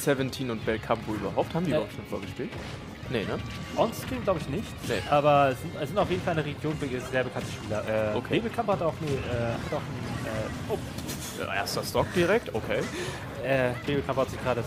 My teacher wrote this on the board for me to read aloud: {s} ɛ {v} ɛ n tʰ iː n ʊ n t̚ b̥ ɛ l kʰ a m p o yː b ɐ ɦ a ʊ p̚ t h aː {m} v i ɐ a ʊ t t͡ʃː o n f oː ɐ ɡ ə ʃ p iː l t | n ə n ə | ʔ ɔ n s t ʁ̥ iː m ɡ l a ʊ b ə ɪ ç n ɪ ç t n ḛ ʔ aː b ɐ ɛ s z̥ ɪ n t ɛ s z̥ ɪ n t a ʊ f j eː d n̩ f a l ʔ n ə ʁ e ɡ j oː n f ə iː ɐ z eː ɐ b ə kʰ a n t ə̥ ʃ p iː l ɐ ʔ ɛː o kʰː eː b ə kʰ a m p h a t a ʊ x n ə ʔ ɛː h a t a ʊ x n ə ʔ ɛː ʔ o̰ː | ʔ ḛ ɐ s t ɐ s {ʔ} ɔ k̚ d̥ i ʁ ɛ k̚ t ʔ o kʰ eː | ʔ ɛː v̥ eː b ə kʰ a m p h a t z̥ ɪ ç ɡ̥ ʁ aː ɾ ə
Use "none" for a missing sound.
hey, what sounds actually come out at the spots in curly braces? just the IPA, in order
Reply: s, v, m, t

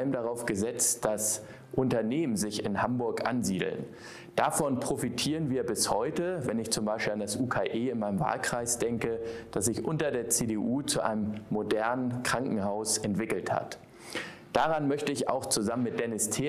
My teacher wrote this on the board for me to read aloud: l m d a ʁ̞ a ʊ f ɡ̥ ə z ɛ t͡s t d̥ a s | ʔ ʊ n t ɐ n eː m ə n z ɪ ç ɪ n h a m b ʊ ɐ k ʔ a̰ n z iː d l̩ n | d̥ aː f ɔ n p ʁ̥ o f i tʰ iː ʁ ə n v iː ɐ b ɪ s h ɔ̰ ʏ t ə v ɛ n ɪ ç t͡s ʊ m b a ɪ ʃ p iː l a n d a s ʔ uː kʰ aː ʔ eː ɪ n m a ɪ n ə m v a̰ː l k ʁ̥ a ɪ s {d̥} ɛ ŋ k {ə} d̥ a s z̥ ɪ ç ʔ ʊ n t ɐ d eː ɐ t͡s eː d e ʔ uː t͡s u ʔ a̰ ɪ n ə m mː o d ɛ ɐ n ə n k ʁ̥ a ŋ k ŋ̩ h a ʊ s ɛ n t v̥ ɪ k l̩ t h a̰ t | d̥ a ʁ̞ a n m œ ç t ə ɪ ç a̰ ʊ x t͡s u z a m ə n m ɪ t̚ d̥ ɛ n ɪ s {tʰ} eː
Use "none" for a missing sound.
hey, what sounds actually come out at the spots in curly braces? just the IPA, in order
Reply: d̥, ə, tʰ

